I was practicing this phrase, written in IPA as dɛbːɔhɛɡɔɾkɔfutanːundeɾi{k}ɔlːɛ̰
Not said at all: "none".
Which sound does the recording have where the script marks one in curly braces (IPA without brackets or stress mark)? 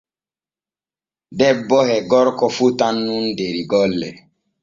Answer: ɡ